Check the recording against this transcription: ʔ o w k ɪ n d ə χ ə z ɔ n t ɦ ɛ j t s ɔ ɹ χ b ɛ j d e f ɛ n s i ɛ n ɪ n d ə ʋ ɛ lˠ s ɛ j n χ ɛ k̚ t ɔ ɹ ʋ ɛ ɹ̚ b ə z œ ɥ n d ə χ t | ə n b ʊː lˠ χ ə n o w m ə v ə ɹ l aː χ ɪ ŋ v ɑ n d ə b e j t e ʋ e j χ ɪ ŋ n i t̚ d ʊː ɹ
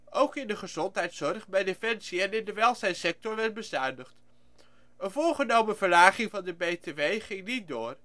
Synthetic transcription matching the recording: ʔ o w k ɪ n d ə χ ə z ɔ n t ɦ ɛ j t s ɔ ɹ χ b ɛ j d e f ɛ n s i ɛ n ɪ n d ə ʋ ɛ lˠ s ɛ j n s ɛ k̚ t ɔ ɹ ʋ ɛ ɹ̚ b ə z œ ɥ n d ə χ t | ə n v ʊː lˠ χ ə n o w m ə v ə ɹ l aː χ ɪ ŋ v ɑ n d ə b e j t e ʋ e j χ ɪ ŋ n i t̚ d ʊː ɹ